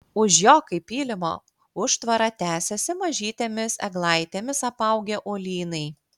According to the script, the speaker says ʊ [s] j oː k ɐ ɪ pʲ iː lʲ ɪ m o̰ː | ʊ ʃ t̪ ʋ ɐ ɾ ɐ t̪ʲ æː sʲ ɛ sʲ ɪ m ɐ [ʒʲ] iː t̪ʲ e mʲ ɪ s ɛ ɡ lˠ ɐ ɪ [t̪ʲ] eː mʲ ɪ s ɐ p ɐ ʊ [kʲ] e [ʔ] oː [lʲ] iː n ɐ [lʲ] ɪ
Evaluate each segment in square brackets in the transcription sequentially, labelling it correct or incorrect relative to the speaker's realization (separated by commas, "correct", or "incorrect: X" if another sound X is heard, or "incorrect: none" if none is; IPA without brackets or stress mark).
incorrect: ʃ, correct, correct, incorrect: ɡʲ, correct, correct, incorrect: none